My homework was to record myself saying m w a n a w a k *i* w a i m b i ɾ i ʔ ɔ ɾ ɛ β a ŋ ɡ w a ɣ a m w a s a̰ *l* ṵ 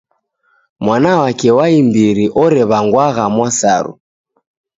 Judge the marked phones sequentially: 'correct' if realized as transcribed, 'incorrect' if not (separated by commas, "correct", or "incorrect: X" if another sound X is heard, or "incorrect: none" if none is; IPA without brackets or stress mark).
incorrect: ɛ, incorrect: ɾ